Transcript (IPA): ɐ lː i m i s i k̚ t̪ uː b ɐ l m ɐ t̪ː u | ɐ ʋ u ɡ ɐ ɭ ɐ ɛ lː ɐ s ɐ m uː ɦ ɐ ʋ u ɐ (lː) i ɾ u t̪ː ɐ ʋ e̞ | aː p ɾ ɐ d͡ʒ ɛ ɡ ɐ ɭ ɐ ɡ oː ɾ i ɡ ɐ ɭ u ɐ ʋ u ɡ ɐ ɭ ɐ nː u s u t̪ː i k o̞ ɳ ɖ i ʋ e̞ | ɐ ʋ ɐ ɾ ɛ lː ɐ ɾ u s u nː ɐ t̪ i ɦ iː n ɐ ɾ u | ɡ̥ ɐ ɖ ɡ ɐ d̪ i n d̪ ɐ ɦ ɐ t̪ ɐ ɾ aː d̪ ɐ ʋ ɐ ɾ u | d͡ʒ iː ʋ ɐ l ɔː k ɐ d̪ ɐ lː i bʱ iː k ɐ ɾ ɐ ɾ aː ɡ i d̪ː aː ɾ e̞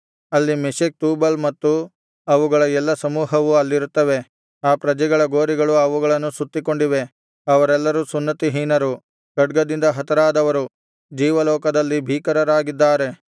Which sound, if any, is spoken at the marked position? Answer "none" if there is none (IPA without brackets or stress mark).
lː